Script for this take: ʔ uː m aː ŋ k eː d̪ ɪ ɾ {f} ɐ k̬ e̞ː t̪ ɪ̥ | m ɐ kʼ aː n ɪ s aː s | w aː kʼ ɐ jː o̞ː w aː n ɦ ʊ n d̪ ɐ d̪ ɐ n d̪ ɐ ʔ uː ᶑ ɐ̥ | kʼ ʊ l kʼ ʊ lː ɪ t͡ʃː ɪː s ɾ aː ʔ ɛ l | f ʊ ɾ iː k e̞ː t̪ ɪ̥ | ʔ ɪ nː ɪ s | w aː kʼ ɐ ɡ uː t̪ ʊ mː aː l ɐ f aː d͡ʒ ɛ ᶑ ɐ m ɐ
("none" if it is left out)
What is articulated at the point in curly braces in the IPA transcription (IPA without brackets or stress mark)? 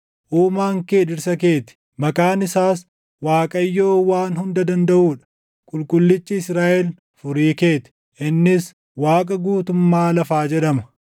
s